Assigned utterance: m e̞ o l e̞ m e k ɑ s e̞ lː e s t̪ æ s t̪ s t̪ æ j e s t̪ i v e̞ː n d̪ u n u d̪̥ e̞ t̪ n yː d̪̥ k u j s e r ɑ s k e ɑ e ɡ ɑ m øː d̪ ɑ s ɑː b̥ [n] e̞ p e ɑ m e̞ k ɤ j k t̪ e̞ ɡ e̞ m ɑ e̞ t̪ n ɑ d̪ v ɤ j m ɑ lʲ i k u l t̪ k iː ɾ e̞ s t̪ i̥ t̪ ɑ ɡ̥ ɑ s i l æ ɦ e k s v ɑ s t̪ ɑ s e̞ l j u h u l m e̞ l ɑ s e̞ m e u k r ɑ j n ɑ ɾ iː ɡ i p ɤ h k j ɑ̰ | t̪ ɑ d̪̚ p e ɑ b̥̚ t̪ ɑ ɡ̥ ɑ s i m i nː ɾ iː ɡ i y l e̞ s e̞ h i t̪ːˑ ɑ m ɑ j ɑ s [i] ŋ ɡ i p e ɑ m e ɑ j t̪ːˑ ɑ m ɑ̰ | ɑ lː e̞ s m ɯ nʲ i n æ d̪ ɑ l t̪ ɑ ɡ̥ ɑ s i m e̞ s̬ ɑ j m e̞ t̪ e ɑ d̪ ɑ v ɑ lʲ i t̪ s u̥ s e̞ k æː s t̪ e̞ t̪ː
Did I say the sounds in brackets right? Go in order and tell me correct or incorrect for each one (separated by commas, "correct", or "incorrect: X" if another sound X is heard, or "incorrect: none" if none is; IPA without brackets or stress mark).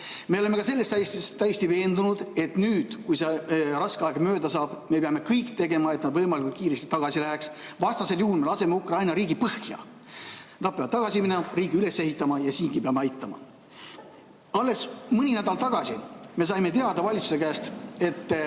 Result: incorrect: m, incorrect: iː